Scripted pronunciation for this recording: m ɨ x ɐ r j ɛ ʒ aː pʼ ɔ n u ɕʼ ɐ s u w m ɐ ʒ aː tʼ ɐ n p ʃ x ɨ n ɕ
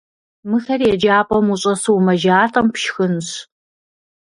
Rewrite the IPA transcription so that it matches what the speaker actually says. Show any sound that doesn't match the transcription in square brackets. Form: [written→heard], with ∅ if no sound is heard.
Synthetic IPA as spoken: m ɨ x ɐ r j ɛ [ʒ→d͡ʒ] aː pʼ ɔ [n→m] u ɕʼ ɐ s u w m ɐ ʒ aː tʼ ɐ [n→m] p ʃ x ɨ n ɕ